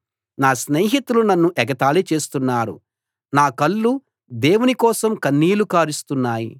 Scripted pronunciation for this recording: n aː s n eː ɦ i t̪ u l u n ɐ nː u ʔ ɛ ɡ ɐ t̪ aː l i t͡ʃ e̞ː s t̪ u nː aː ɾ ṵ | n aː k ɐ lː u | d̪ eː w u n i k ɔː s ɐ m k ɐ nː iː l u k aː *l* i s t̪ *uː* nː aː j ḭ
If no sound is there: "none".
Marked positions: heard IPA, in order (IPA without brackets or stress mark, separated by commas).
ɾ, u